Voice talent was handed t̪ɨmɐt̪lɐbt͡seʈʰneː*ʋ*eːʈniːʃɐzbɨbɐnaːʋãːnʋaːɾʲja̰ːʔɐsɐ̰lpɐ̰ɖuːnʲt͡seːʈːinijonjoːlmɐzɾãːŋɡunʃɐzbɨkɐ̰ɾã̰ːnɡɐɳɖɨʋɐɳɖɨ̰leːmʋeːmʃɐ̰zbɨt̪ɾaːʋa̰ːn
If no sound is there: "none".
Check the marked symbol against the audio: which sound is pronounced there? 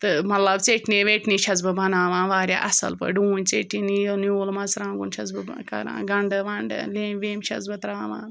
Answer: ʋ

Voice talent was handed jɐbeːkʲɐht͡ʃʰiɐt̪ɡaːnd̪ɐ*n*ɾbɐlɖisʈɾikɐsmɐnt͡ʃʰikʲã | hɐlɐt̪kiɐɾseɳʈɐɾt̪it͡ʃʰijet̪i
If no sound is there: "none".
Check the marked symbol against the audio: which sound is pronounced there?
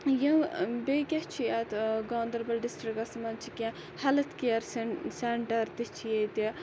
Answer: none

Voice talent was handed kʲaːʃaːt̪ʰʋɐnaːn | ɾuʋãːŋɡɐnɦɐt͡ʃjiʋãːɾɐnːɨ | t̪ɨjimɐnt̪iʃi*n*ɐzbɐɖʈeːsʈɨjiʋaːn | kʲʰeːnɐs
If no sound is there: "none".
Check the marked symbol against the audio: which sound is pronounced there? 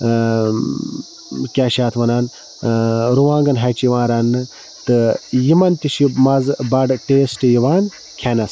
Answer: m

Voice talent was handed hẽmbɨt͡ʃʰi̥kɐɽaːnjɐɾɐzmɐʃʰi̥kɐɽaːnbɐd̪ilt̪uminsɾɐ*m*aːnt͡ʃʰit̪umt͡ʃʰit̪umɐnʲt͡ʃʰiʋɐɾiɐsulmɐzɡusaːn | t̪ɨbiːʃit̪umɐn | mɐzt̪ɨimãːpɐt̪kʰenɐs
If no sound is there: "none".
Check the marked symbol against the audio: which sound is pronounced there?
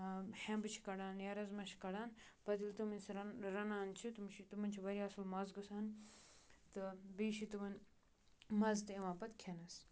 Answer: n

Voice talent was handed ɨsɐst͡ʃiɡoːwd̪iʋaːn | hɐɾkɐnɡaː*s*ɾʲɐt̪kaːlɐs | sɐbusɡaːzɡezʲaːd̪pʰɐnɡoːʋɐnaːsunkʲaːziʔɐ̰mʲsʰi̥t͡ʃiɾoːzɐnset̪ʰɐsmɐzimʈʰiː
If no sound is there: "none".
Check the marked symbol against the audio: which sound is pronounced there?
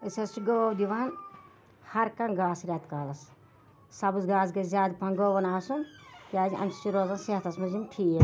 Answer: s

